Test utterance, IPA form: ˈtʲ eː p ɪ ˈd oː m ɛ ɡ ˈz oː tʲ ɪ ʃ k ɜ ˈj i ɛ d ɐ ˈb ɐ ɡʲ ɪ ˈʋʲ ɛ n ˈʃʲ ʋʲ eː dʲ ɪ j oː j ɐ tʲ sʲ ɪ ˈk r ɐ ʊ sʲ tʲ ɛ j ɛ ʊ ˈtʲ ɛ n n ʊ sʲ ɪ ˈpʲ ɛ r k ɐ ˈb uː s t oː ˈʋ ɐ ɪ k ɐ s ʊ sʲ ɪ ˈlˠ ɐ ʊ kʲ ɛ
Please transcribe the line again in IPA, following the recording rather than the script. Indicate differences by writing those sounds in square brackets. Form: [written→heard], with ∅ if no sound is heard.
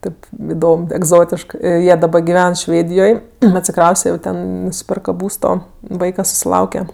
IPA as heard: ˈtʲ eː p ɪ ˈd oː m ɛ ɡ ˈz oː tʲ ɪ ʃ k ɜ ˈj i ɛ d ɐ ˈb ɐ ɡʲ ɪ ˈʋʲ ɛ n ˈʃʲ ʋʲ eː dʲ ɪ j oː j ɐ tʲ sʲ ɪ ˈk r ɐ ʊ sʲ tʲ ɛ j ɛ ʊ ˈtʲ ɛ n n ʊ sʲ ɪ ˈpʲ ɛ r k ɐ ˈb uː s t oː ˈʋ ɐ ɪ k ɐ s ʊ sʲ ɪ ˈlˠ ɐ ʊ kʲ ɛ